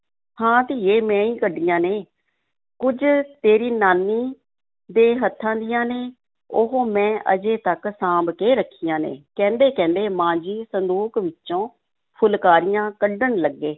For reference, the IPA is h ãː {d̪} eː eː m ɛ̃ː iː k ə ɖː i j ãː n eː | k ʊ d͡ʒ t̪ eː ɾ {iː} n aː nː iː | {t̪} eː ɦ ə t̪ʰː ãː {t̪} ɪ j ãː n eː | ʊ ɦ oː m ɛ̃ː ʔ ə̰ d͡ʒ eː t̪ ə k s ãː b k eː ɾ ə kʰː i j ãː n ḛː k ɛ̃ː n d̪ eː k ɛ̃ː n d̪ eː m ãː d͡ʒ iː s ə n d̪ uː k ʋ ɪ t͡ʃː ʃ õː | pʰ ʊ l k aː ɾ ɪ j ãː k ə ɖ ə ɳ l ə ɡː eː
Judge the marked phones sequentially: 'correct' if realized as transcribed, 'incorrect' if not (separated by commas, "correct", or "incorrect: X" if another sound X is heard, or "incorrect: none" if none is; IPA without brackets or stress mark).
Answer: incorrect: t̪, correct, incorrect: d̪, incorrect: d̪